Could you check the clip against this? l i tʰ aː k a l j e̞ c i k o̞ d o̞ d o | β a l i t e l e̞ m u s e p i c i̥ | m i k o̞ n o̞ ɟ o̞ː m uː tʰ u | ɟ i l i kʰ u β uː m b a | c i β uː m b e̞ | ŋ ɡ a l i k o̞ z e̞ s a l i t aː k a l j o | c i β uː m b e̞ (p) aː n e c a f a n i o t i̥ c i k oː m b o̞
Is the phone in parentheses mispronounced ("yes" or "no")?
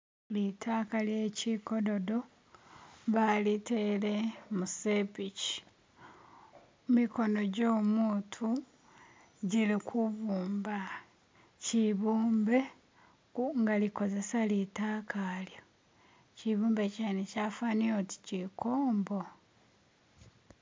yes